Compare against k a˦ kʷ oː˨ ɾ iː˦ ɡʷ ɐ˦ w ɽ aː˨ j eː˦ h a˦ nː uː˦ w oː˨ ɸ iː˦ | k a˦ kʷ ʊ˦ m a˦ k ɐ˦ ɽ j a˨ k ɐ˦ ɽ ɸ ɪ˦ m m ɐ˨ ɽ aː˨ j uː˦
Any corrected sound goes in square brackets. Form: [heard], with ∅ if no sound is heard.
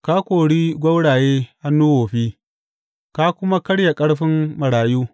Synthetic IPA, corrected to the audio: k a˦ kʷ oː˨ [ɽ] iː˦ ɡʷ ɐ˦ w ɽ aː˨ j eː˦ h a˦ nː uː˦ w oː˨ ɸ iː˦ | k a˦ kʷ ʊ˦ m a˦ k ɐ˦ ɽ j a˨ [kʼ] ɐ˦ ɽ ɸ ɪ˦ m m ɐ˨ ɽ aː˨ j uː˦